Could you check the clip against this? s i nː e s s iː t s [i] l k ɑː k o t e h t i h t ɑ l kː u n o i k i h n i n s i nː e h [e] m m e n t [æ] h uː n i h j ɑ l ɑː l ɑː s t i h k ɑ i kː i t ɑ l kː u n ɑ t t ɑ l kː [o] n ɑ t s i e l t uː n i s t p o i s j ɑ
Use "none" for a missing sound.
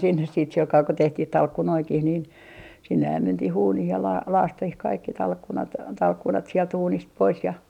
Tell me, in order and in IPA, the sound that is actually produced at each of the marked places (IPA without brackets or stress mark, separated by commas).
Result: i, æ, i, u